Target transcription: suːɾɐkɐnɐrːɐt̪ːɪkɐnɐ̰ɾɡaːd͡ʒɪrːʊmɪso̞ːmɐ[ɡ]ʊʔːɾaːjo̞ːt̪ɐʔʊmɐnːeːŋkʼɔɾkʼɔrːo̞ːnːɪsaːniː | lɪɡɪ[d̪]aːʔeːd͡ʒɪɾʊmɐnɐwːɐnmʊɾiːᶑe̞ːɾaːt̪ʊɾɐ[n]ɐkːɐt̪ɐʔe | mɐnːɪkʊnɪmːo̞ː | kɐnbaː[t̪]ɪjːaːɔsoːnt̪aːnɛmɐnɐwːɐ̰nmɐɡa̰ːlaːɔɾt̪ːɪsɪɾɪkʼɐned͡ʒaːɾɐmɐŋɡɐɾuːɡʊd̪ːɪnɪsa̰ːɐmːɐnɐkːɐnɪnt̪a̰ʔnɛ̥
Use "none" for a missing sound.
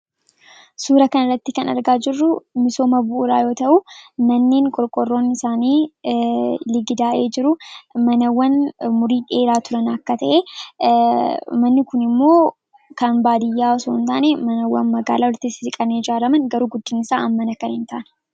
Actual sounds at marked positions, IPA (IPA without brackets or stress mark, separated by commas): b, d̪, n, d̪